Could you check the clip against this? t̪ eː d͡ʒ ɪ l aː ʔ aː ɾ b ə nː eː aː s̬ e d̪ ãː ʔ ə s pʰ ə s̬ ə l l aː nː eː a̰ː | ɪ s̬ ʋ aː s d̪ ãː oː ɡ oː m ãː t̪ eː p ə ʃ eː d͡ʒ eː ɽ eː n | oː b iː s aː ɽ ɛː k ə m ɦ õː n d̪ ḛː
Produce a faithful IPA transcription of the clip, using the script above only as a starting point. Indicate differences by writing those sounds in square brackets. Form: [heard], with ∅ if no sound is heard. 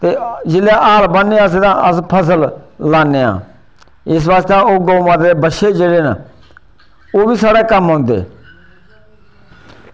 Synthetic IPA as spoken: t̪ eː d͡ʒ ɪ l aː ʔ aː [l] b ə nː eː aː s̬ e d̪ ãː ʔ ə s pʰ ə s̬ ə l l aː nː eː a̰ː | ɪ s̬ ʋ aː s [t̪] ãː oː ɡ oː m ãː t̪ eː [b] ə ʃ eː d͡ʒ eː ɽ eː n | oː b iː s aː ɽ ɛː k ə m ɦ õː n d̪ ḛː